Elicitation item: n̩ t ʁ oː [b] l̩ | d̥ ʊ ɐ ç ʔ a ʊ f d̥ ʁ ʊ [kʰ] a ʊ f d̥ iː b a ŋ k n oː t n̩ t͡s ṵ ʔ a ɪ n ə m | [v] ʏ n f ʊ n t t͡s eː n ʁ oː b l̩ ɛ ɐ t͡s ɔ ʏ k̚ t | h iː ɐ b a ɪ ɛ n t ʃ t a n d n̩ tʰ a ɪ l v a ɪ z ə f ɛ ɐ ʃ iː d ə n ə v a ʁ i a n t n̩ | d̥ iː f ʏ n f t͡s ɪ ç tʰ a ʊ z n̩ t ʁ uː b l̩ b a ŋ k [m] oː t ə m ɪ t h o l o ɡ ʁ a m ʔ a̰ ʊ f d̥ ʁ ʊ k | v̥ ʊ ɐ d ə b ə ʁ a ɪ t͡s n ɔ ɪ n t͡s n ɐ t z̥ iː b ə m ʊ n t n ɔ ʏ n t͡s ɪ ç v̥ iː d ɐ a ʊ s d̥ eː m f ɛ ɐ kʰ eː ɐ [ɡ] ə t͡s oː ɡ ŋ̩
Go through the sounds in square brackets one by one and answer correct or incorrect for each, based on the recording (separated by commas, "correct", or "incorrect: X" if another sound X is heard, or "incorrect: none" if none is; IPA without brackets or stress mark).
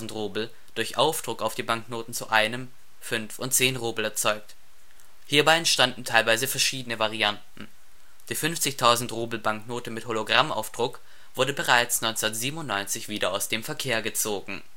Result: correct, incorrect: k, incorrect: f, incorrect: n, correct